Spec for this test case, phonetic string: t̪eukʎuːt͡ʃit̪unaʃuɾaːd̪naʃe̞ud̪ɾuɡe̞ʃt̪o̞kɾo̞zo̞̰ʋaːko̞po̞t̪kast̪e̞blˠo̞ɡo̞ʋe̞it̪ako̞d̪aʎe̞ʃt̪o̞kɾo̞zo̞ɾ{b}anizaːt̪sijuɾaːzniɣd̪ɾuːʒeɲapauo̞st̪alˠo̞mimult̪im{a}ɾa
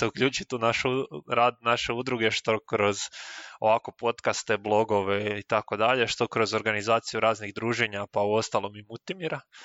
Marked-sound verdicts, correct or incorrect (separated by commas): incorrect, incorrect